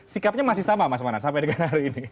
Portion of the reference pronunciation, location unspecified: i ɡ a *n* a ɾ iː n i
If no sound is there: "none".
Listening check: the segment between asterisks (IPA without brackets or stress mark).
n